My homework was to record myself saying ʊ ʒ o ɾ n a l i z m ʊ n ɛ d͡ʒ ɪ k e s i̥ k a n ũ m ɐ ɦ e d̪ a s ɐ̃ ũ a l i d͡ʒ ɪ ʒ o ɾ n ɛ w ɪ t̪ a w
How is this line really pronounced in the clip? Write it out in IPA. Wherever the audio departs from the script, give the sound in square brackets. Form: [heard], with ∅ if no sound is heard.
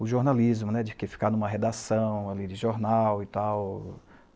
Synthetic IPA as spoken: ʊ ʒ o ɾ n a l i z m ʊ n ɛ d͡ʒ ɪ k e [f] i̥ k a n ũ m ɐ ɦ e d̪ a s ɐ̃ [w̃] a l i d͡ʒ ɪ ʒ o ɾ n [a] w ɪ t̪ a w